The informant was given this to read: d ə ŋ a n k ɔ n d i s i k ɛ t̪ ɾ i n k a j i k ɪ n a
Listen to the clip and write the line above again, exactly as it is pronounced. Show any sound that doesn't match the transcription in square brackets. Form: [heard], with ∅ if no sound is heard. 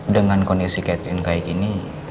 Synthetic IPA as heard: d ə ŋ a n k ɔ n d i s i k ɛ t̪ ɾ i n k a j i k [i] n [i]